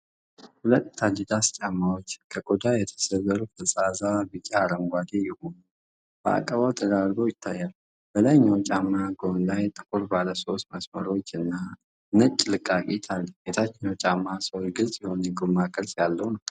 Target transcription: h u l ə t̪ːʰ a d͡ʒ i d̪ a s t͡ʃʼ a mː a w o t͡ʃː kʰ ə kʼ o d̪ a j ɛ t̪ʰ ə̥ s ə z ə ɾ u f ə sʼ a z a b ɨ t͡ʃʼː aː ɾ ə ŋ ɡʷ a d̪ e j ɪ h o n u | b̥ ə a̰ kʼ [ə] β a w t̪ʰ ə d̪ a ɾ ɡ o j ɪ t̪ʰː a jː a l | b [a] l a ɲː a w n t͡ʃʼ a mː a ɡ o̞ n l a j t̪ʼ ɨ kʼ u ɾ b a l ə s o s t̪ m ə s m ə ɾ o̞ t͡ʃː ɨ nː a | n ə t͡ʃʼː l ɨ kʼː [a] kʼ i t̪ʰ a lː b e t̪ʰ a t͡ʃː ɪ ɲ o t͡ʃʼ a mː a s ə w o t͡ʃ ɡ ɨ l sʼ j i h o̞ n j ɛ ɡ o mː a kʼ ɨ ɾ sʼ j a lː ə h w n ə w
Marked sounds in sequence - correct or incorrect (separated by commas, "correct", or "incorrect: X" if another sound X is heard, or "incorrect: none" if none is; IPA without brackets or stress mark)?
correct, incorrect: ə, correct